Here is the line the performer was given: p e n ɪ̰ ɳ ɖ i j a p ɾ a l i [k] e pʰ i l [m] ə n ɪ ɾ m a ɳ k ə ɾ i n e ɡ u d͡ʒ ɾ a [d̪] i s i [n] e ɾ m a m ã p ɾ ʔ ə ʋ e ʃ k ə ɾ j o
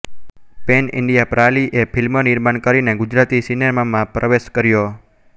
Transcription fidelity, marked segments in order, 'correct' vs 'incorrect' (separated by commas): incorrect, correct, incorrect, correct